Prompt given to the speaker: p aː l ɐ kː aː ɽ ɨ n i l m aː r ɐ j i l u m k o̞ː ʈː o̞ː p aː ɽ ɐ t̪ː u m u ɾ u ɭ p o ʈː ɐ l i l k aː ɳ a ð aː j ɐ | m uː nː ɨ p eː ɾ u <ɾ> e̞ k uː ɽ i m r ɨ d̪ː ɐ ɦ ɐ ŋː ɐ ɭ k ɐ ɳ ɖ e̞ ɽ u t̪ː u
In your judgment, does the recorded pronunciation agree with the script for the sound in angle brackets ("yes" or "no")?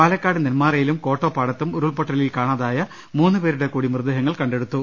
no